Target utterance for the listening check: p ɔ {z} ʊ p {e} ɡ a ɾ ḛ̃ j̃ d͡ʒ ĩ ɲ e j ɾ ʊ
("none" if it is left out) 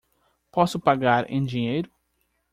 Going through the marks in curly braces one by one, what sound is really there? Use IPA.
s, a

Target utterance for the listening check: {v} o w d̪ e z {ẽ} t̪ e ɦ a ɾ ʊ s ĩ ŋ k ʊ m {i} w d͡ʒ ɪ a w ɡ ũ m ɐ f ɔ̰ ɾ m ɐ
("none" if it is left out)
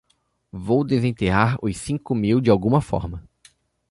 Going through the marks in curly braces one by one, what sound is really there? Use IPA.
v, ẽ, i

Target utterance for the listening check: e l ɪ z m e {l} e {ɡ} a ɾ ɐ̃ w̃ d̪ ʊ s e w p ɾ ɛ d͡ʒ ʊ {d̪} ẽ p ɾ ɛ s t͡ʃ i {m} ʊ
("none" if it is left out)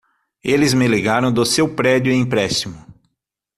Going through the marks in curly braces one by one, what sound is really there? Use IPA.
l, ɡ, none, m

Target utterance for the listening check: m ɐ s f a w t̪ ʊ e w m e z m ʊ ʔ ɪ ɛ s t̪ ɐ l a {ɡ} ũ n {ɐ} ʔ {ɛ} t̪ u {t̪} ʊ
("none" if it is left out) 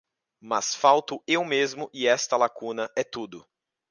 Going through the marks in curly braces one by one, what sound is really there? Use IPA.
k, ɐ, ɛ, d̪

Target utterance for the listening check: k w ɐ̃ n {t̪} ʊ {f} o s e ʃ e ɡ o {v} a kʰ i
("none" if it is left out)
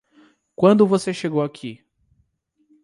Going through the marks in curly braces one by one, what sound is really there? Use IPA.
d̪, v, w

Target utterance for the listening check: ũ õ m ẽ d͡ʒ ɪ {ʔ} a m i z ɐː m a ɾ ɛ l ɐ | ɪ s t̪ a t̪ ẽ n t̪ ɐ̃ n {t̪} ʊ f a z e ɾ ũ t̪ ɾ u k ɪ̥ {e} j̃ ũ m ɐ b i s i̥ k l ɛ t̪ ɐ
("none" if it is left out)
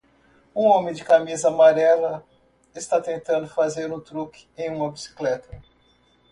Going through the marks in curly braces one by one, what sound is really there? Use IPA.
k, d̪, ẽ

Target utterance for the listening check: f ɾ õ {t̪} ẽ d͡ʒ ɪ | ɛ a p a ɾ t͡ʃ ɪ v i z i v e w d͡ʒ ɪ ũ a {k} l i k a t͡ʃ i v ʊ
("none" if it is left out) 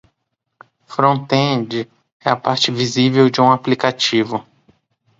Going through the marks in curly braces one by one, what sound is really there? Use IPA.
t̪, p

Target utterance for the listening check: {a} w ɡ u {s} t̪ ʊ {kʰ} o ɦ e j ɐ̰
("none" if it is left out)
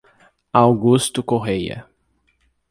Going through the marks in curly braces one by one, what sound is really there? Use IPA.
a, s, k

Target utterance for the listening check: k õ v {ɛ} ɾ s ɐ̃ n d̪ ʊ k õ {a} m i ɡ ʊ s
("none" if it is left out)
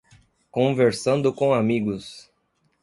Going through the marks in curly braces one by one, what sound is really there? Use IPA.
e, a

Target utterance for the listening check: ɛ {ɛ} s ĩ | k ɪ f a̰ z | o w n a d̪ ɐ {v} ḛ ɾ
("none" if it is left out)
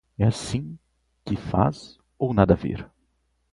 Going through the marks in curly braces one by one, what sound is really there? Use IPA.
a, v

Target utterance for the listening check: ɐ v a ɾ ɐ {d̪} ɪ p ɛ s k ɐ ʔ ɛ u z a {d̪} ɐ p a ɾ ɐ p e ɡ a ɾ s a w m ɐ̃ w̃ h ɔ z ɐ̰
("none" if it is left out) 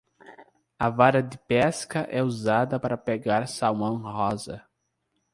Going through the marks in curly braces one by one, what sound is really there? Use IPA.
d̪, d̪

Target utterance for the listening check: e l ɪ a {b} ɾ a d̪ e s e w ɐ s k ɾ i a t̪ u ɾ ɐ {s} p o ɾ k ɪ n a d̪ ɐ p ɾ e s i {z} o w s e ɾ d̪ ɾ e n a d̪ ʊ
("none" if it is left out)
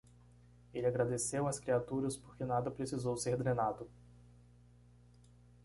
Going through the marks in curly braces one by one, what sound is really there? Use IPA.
ɡ, s, z

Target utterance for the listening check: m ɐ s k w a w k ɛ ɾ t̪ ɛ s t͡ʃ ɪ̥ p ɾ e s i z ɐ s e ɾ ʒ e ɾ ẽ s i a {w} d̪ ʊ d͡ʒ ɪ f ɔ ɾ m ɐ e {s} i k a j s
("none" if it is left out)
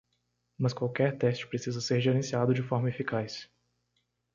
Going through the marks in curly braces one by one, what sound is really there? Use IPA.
none, f

